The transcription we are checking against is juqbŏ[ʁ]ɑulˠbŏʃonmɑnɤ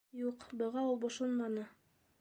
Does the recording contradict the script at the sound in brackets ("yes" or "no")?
no